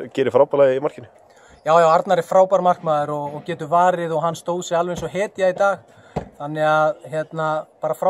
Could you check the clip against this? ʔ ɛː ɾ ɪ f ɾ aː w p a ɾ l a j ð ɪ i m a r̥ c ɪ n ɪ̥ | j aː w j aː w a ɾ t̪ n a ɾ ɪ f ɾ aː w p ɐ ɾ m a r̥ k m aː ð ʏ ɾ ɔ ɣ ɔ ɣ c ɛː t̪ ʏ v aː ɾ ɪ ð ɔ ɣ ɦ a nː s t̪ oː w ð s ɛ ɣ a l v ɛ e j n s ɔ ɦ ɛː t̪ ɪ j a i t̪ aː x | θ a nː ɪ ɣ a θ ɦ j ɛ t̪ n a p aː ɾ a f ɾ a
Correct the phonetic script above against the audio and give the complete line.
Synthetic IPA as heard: c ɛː ɾ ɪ f ɾ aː w p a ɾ l a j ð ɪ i m a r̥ c ɪ n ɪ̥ | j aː w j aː w a ɾ t̪ n a ɾ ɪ f ɾ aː w p a ɾ m a r̥ k m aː ð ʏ ɾ ɔ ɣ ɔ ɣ c ɛː t̪ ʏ v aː ɾ ɪ ð ɔ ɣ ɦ a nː s t̪ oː w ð s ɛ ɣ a l v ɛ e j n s ɔ ɦ ɛː t̪ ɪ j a i t̪ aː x | θ a nː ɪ ɣ a ð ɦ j ɛ t̪ n a p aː ɾ a f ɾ a